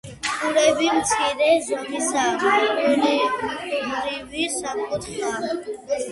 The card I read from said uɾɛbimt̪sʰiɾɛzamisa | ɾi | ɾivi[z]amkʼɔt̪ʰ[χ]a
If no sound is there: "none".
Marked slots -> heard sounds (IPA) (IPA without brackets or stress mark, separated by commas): s, χ